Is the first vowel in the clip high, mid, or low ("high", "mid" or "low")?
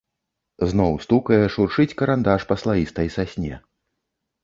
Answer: mid